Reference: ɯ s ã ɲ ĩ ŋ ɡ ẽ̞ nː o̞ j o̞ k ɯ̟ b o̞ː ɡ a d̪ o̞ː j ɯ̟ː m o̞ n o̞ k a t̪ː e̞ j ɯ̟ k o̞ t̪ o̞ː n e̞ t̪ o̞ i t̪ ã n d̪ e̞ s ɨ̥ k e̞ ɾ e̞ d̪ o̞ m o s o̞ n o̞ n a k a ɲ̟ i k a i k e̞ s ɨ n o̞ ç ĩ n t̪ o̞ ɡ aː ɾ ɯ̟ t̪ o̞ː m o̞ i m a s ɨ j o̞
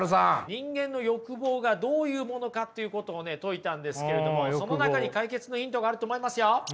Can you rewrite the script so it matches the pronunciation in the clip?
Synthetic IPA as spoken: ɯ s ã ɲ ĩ ŋ ɡ ẽ̞ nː o̞ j o̞ k ɯ̟ b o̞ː ɡ a d̪ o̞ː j ɯ̟ː m o̞ n o̞ k a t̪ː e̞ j ɯ̟ k o̞ t̪ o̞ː n e̞ t̪ o̞ i t̪ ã n d̪ e̞ s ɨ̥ k e̞ ɾ e̞ d̪ o̞ m o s o̞ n o̞ n a k a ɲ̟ i k a i k e̞ t͡s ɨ n o̞ ç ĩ n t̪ o̞ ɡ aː ɾ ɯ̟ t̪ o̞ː m o̞ i m a s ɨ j o̞